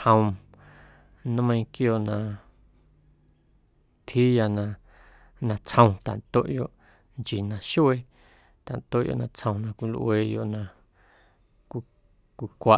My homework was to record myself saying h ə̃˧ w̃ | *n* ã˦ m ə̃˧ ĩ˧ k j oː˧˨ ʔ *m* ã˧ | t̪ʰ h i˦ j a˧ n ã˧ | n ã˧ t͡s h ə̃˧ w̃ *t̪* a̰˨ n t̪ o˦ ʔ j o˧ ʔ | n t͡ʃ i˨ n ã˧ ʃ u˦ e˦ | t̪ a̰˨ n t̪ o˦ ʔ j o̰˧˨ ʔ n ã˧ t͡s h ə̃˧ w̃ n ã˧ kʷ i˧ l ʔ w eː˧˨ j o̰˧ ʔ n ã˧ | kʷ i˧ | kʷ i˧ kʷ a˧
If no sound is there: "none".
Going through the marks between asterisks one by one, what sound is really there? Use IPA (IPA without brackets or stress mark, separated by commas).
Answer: n, n, t̪